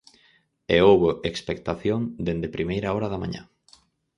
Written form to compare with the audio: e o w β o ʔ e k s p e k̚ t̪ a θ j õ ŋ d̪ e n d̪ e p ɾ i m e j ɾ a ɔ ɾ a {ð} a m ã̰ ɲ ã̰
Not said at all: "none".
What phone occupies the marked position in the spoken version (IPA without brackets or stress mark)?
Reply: ð